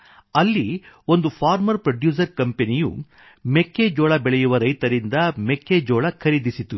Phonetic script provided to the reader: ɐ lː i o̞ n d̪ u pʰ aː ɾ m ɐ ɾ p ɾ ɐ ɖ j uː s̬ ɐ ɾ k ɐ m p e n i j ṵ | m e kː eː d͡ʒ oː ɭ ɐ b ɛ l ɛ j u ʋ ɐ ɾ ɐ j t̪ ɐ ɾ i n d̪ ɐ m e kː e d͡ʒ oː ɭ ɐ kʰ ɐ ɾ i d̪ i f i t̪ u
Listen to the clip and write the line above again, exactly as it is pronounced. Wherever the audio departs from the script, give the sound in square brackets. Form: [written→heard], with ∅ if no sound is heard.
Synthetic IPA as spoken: ɐ lː i o̞ n d̪ u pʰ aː ɾ m ɐ ɾ p ɾ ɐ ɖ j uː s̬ ɐ ɾ k ɐ m p e n i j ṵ | m e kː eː d͡ʒ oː ɭ ɐ b ɛ [l→ɭ] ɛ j u ʋ ɐ ɾ ɐ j t̪ ɐ ɾ i n d̪ ɐ m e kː e d͡ʒ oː ɭ ɐ kʰ ɐ ɾ i d̪ i [f→s] i t̪ u